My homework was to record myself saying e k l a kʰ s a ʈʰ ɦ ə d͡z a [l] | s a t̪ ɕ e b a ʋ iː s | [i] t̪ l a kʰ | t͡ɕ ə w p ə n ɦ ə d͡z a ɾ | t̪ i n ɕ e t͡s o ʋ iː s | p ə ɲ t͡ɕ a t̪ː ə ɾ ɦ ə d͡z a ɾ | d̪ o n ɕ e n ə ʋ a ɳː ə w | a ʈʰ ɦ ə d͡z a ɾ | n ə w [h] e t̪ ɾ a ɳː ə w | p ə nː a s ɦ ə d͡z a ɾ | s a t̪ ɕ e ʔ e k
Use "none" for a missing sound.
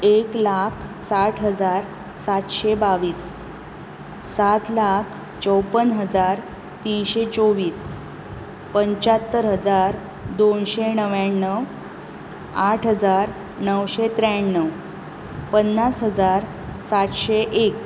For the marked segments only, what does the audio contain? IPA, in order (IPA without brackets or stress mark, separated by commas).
ɾ, a, ɕ